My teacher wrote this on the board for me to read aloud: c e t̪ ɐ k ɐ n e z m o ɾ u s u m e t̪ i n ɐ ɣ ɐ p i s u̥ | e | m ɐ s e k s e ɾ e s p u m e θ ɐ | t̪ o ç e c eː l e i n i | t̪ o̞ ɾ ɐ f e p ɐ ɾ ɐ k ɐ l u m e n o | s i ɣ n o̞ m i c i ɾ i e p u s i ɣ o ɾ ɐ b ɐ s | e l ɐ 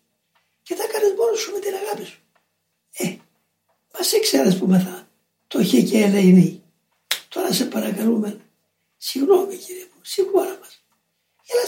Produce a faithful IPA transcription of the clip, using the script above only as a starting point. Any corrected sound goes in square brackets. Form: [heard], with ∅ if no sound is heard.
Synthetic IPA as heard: c e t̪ ɐ k ɐ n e z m o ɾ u s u m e t̪ i n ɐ ɣ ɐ p i s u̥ | e | m ɐ s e k s e ɾ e s p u m e θ ɐ | t̪ o ç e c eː l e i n i | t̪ o̞ ɾ ɐ [s] e p ɐ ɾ ɐ k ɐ l u m e n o | s i ɣ n o̞ m i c i ɾ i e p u s i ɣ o ɾ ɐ [m] ɐ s | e l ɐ